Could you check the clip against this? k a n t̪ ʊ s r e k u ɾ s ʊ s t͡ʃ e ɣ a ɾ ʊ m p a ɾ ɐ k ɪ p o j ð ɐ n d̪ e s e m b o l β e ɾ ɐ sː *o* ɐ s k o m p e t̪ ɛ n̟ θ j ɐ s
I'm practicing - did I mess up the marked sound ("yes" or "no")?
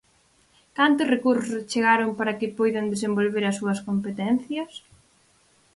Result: yes